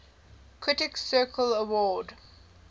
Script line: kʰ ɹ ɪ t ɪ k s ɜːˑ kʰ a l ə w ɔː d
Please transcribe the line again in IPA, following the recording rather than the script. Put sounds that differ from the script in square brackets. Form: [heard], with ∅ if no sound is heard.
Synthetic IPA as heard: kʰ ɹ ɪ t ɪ k s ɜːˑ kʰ [ə] l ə w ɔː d